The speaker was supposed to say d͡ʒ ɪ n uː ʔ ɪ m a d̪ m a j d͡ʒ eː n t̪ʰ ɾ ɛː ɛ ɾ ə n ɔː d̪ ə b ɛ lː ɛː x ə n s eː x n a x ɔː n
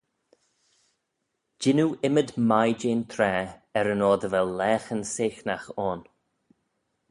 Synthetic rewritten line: d͡ʒ ɪ n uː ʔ ɪ m ə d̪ m a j d͡ʒ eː n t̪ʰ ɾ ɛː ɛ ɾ ə n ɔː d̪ ə v ɛ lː ɛː x ə n s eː x n a x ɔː n